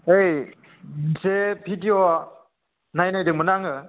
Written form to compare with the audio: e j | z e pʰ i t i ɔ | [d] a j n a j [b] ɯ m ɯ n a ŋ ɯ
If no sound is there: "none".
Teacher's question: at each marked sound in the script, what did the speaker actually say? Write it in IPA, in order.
n, d

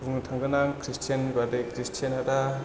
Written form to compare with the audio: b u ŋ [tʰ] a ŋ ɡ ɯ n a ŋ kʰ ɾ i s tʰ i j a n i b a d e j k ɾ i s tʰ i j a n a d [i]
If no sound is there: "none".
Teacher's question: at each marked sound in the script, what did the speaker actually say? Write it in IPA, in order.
tʰ, a

